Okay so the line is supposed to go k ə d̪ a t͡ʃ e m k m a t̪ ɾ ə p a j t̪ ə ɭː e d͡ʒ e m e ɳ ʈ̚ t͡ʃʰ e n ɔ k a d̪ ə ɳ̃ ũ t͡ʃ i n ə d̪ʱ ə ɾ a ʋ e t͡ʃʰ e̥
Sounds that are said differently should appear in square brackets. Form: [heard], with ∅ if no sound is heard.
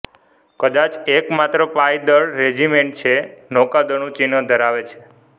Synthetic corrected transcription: k ə d̪ a t͡ʃ e [∅] k m a t̪ ɾ ə p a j [d̪] ə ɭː e d͡ʒ [i] m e ɳ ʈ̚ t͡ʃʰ e n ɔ k a d̪ ə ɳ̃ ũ t͡ʃ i n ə d̪ʱ ə ɾ a ʋ e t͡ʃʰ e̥